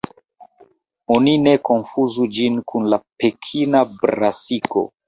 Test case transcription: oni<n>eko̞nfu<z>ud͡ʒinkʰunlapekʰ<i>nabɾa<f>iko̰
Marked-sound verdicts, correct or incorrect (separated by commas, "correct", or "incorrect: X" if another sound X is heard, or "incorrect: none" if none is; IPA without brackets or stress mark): correct, correct, correct, incorrect: s